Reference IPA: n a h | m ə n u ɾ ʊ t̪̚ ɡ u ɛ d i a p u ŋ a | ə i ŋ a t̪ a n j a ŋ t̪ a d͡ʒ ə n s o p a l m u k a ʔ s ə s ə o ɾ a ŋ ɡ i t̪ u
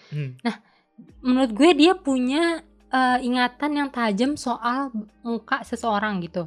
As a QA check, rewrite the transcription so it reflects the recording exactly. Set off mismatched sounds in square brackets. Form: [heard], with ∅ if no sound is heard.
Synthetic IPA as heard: n a h | m ə n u ɾ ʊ t̪̚ ɡ u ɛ d i a p u [ɲ] a | ə i ŋ a t̪ a n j a ŋ t̪ a d͡ʒ ə [m] s o [ʔ] a l m u k a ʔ s ə s ə o ɾ a ŋ ɡ i t̪ u